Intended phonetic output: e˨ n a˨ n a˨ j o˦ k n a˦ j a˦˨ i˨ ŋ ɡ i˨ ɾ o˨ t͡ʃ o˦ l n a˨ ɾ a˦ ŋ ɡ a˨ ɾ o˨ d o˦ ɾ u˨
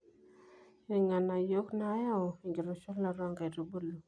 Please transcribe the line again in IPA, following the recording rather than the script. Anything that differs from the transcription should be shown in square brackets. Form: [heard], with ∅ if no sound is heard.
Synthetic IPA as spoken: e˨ [ŋ] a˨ n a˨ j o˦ k n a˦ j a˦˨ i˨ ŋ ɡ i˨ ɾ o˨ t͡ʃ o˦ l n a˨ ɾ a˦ ŋ ɡ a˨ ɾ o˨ [b] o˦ [l] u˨